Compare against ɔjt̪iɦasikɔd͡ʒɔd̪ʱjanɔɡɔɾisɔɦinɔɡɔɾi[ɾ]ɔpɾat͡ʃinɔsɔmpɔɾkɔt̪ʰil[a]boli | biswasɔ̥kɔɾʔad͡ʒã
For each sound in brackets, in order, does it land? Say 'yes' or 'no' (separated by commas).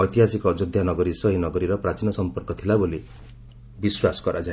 yes, yes